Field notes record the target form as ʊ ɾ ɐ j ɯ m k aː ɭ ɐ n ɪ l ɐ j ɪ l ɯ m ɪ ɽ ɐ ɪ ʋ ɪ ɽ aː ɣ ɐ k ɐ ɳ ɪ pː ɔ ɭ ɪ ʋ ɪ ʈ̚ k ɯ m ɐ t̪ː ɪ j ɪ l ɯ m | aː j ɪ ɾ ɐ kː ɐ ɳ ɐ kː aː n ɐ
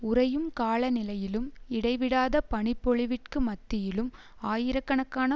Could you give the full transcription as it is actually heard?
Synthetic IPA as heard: ʊ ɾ ɐ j ɯ m k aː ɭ ɐ n ɪ l ɐ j ɪ l ɯ m ɪ ɽ ɐ ɪ ʋ ɪ ɽ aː ð ɐ p ɐ ɳ ɪ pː ɔ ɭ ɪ ʋ ɪ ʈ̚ k ɯ m ɐ t̪ː ɪ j ɪ l ɯ m | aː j ɪ ɾ ɐ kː ɐ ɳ ɐ kː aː n ɐ